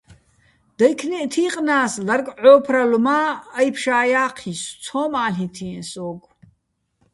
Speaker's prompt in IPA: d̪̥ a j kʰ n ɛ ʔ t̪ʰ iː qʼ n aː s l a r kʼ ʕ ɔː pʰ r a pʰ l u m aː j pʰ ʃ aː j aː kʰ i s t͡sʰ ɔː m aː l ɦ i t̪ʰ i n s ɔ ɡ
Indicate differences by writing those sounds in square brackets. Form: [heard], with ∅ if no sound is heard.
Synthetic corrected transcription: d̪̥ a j kʰ n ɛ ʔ t̪ʰ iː qʼ n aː s l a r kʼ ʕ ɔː pʰ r a [∅] l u m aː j pʰ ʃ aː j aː [qʰ] i s t͡sʰ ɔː m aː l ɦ i t̪ʰ i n s ɔ ɡ